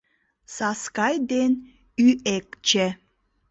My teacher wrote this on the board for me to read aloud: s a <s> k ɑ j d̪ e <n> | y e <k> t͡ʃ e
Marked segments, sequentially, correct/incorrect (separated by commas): correct, correct, correct